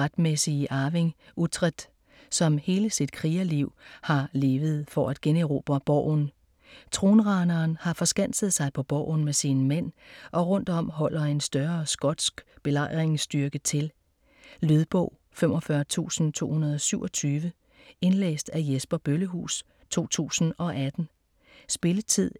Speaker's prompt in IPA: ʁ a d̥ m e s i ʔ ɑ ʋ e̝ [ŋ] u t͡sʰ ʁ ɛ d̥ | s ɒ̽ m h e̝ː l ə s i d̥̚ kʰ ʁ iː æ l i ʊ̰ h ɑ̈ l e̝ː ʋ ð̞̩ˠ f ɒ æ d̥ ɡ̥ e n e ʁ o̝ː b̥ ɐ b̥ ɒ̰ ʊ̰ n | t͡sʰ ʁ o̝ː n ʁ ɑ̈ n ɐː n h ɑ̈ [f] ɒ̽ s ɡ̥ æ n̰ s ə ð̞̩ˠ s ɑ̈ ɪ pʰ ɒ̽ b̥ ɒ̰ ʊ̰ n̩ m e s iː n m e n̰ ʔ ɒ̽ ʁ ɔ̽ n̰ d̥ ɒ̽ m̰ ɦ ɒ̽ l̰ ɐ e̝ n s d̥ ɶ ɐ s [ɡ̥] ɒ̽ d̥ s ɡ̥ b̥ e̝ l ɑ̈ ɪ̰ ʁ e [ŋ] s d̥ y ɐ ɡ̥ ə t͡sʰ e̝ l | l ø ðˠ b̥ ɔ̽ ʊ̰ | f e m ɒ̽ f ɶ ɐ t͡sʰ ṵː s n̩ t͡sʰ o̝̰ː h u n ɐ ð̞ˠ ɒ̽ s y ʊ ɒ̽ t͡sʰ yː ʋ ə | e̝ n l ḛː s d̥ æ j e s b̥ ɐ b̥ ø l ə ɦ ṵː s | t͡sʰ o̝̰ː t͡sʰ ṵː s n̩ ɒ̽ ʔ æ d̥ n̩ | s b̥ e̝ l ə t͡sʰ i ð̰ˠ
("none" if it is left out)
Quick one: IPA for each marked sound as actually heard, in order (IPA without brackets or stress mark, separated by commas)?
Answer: ŋ, f, ɡ̥, ŋ